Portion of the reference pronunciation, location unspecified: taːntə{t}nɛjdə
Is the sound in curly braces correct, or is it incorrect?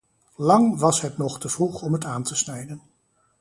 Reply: incorrect